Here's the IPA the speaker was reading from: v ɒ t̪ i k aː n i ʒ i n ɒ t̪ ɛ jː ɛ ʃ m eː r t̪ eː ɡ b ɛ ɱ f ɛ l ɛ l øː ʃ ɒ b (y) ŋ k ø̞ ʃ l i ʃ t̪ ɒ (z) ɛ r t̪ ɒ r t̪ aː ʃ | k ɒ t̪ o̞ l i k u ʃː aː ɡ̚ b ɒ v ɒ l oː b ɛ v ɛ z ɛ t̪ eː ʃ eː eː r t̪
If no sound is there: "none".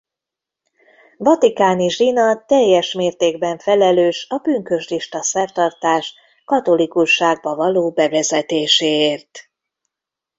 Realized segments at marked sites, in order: y, s

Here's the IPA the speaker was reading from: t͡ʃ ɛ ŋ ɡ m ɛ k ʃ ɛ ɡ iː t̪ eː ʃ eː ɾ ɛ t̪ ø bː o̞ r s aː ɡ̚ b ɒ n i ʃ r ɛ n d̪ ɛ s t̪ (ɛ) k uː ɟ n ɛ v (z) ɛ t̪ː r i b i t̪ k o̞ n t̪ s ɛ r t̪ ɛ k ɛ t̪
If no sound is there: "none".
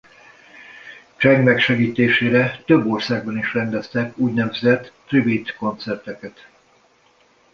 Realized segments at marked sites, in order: ɛ, z

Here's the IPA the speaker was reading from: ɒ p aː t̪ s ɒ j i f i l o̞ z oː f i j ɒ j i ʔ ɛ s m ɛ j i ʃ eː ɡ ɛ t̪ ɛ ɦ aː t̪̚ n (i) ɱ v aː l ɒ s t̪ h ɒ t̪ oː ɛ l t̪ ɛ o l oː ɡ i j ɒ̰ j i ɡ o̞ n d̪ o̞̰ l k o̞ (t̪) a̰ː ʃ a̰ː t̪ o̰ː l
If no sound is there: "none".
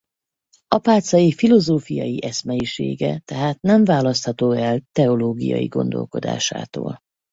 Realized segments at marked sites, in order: ɛ, d̪

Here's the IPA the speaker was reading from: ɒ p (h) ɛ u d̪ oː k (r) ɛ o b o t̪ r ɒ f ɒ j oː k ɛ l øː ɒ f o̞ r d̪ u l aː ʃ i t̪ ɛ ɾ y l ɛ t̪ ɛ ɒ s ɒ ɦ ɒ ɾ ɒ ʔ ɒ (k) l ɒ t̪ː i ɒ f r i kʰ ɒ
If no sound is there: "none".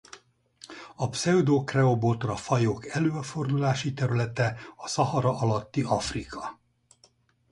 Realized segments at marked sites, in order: s, r, none

